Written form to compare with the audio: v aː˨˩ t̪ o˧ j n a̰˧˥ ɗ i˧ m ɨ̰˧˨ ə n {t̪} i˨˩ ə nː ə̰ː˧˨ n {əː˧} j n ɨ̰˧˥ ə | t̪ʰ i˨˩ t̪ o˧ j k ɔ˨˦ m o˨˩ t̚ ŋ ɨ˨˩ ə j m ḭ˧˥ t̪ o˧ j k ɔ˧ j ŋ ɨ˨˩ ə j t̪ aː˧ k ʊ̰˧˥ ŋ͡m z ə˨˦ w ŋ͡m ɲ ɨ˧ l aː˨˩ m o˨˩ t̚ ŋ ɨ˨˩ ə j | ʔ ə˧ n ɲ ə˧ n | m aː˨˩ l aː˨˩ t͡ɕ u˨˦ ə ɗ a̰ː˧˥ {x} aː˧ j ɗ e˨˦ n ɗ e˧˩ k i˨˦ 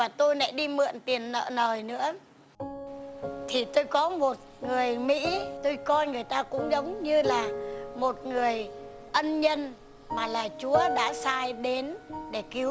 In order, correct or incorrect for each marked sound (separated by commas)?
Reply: correct, incorrect, incorrect